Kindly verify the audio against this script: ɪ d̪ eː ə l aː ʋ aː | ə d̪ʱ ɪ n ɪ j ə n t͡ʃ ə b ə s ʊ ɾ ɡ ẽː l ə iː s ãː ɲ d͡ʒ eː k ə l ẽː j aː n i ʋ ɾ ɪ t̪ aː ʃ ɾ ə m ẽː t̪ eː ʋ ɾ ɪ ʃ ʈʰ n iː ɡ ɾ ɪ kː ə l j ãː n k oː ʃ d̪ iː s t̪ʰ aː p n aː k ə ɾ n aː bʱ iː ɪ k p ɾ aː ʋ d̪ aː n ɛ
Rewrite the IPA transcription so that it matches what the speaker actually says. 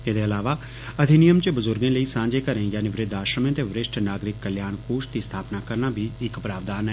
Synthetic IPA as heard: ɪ d̪ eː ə l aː ʋ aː | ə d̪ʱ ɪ n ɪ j ə m t͡ʃ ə b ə z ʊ ɾ ɡ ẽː l ə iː s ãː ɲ d͡ʒ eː k ə ɾ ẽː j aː n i ʋ ɾ ɪ d̪ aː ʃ ɾ ə m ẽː t̪ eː ʋ ɾ ɪ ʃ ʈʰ n aː ɡ ɾ ɪ kː ə l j aː n k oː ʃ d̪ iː s t̪ʰ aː p n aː k ə ɾ n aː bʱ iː ɪ k p ɾ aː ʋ d̪ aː n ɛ